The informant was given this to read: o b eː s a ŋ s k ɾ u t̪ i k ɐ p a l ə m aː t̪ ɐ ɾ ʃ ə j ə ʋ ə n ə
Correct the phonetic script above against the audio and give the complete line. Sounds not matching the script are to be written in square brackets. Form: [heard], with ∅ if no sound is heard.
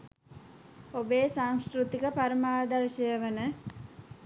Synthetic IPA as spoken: o b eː s a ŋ s k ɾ u t̪ i k [ə] p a [ɾ] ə m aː [d̪] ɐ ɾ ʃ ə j ə ʋ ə n ə